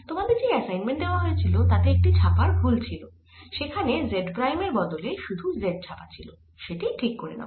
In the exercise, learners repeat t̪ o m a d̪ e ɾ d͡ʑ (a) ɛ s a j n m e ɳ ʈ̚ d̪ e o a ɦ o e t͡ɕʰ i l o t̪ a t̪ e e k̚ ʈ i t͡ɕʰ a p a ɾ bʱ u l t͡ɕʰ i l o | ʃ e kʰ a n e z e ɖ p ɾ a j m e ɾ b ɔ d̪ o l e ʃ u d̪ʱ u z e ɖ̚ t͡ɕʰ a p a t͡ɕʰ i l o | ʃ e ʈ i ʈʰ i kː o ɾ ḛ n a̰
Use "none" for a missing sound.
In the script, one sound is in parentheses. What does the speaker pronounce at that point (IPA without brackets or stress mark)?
e